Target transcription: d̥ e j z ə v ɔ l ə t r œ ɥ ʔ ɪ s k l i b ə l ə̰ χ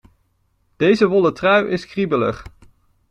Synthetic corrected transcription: d̥ e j z ə ʋ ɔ l ə t r œ ɥ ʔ ɪ s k r i b ə l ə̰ χ

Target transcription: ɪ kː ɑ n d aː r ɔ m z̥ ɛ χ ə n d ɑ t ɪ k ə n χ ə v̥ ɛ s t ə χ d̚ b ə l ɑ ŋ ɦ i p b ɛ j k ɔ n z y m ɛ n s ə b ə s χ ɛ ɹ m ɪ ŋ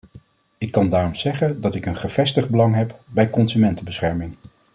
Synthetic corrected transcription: ɪ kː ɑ n d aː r ɔ m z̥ ɛ χ ə n d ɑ t ɪ k ə n χ ə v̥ ɛ s t ə χ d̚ b ə l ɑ ŋ ɦ ɛ p b ɛ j k ɔ n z y m ɛ n t ə b ə s χ ɛ ɹ m ɪ ŋ

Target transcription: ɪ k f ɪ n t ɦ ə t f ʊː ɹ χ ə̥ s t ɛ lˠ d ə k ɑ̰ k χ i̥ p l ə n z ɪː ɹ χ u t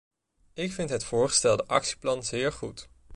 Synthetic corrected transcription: ɪ k f ɪ n t ɦ ə t f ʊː ɹ χ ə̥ s t ɛ lˠ d ə ʔ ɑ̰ k s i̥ p l ɑ n z ɪː ɹ χ u t

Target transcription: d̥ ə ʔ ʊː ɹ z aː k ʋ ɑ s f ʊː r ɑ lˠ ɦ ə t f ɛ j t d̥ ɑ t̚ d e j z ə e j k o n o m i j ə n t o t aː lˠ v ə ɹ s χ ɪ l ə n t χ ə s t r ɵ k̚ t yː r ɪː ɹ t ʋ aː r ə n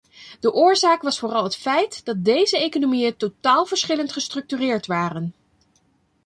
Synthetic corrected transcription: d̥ ə ʔ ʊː ɹ z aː k ʋ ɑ s f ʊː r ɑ lˠ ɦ ə t f ɛ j t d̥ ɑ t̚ d e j z ə e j k o n o m i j ə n t o t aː lˠ v ə ɹ s χ ɪ l ə n t χ ə s t r ɵ k̚ t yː r ɪː ɹ t ʋ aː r ə n

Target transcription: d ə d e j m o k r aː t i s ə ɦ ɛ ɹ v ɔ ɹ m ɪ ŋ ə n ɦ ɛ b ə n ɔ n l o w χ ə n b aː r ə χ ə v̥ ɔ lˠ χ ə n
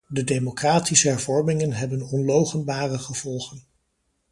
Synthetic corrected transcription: d ə d e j m o k r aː t i s ə ɦ ɛ ɹ v ɔ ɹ m ɪ ŋ ə n ɦ ɛ b ə n ɔ n l o w χ ə n b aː r ə χ ə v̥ ɔ lˠ χ ə n

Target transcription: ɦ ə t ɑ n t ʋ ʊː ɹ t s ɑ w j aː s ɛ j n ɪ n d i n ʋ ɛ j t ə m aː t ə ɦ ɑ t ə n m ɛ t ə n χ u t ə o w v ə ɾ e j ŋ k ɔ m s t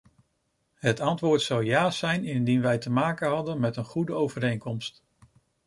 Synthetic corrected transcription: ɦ ə t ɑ n t ʋ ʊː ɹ t s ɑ w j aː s ɛ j n ɪ n d i n ʋ ɛ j t ə m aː k ə ɦ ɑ d ə n m ɛ t ə n χ u d ə o w v ə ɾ e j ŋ k ɔ m s t

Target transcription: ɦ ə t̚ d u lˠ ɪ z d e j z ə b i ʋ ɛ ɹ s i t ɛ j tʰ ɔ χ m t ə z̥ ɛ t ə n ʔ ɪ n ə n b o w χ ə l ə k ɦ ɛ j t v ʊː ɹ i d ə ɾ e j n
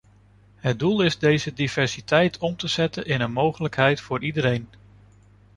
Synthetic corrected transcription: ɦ ə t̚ d u lˠ ɪ z d e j z ə d i v ɛ ɹ s i t ɛ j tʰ ɔ m t ə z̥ ɛ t ə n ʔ ɪ n ə n m o w χ ə l ə k ɦ ɛ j t f ʊː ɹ i d ə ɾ e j n

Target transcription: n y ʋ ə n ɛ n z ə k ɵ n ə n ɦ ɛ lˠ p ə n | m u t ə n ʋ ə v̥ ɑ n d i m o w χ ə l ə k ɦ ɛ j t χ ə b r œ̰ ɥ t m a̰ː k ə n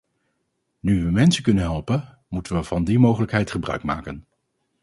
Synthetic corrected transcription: n y ʋ ə m ɛ n s ə k ɵ n ə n ɦ ɛ lˠ p ə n | m u t ə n ʋ ə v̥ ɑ n d i m o w χ ə l ə k ɦ ɛ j t χ ə b r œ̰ ɥ k m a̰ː k ə n

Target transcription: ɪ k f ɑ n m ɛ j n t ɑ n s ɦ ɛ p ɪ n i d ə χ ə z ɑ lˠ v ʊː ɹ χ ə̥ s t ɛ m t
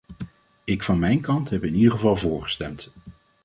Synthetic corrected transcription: ɪ k f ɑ n m ɛ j n k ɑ n t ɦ ɛ p ɪ n i d ə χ ə v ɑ lˠ v ʊː ɹ χ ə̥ s t ɛ m t

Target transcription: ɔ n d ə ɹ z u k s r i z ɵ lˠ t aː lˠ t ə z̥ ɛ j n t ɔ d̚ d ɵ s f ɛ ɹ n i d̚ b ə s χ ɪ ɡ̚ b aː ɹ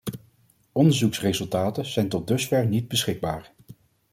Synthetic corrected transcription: ɔ n d ə ɹ z u k s r e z ɵ lˠ t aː t ə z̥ ɛ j n t ɔ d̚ d ɵ s f ɛ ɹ n i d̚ b ə s χ ɪ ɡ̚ b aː ɹ

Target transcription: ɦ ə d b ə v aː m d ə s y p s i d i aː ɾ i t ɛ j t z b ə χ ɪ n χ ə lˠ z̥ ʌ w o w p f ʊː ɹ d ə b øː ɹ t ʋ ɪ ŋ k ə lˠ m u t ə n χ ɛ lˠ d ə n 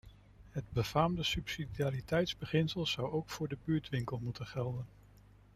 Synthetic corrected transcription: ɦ ə d b ə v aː m d ə s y p s i d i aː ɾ i t ɛ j t z b ə χ ɪ n s ə lˠ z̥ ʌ w o w k f ʊː ɹ d ə b yː ɹ t ʋ ɪ ŋ k ə lˠ m u t ə n χ ɛ lˠ d ə n

